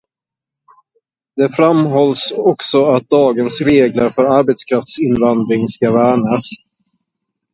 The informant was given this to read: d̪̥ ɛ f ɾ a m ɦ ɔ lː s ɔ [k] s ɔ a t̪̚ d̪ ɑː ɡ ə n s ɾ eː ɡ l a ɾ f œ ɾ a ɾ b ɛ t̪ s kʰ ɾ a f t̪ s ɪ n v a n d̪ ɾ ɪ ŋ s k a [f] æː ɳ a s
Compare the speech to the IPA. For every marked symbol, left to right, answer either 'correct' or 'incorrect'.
correct, incorrect: v

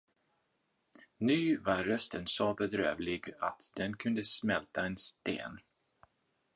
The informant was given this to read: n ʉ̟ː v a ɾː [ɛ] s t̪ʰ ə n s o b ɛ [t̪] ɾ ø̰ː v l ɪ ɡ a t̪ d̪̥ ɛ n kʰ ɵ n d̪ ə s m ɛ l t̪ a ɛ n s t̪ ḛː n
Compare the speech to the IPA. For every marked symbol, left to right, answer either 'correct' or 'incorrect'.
incorrect: œ, incorrect: d̪

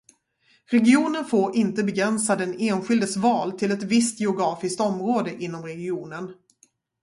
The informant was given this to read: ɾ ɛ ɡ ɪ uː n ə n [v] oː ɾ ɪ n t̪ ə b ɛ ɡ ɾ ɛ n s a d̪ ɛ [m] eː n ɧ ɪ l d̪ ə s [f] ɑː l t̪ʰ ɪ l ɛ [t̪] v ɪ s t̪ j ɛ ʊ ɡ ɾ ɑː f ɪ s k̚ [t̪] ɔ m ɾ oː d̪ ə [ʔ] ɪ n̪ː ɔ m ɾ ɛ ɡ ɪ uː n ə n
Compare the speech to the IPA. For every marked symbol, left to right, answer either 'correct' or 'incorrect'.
incorrect: f, incorrect: n, incorrect: v, correct, correct, correct

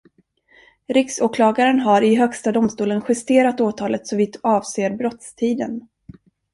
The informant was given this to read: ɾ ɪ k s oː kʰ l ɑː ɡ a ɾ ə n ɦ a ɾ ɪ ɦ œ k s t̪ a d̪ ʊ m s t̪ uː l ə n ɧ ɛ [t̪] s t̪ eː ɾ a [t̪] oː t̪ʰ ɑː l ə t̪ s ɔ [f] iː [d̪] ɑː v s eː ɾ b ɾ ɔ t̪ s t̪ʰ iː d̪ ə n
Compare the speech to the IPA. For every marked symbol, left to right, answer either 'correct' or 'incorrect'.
incorrect: none, correct, incorrect: v, incorrect: t̪

